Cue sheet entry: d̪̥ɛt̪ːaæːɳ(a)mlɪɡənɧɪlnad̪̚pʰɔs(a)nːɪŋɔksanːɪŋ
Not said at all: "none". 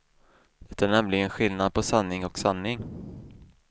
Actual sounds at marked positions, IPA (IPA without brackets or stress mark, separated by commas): ɛ, a